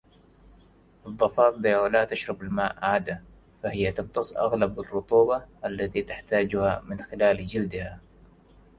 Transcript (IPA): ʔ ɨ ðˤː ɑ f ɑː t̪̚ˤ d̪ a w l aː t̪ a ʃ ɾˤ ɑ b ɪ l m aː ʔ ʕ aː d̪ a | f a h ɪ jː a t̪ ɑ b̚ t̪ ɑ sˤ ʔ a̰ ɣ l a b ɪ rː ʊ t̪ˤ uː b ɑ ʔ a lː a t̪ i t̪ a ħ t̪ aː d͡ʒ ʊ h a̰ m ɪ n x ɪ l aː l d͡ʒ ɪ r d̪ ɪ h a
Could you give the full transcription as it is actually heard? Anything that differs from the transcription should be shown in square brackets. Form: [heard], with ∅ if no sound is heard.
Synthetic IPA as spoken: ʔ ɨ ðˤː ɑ f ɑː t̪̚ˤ d̪ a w l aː t̪ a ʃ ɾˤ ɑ b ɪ l m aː ʔ ʕ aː d̪ a | f a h ɪ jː a t̪ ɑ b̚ t̪ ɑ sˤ ʔ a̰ ɣ l a b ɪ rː ʊ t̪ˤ uː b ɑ ʔ a lː a t̪ i t̪ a ħ t̪ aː d͡ʒ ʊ h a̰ m ɪ n x ɪ l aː l d͡ʒ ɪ [l] d̪ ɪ h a